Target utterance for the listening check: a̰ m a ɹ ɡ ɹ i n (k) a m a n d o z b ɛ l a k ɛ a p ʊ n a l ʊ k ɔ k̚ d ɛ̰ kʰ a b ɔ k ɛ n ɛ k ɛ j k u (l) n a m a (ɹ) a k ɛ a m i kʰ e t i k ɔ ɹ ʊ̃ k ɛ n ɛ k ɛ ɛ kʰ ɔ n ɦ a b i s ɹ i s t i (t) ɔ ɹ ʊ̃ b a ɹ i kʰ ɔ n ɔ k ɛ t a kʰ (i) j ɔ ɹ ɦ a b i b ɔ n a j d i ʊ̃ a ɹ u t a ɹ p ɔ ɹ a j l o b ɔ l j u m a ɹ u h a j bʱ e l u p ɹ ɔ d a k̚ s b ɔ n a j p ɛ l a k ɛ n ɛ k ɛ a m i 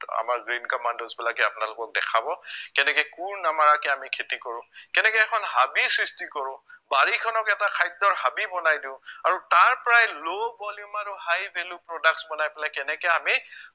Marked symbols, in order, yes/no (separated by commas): yes, no, yes, no, no